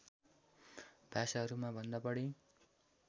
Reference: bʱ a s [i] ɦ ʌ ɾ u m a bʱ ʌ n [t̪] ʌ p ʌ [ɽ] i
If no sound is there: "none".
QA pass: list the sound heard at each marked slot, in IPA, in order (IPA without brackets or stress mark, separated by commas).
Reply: a, d̪, ɽ